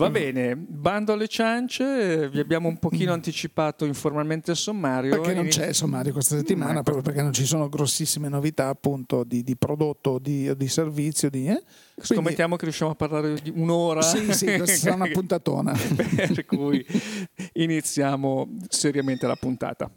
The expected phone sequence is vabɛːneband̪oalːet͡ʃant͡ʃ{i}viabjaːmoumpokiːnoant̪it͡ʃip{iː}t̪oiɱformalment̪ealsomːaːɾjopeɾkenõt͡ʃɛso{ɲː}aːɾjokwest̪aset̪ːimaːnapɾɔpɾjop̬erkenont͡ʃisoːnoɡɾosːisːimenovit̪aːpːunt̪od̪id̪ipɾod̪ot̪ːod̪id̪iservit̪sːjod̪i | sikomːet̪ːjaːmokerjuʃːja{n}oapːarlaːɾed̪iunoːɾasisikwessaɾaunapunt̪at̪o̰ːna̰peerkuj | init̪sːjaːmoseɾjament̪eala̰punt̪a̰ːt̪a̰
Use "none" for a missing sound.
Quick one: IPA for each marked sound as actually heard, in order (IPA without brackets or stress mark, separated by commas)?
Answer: e, aː, mː, m